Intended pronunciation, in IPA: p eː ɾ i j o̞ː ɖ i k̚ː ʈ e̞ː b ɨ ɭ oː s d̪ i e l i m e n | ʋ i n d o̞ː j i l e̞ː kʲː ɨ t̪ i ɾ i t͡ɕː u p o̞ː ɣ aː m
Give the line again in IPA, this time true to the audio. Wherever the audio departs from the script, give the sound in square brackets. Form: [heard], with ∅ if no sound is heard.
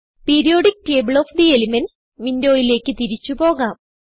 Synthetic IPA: p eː ɾ i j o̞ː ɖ i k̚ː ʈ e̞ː b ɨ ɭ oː [f] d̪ i e l i m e n | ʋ i n d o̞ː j i l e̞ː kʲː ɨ t̪ i ɾ i t͡ɕː u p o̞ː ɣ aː m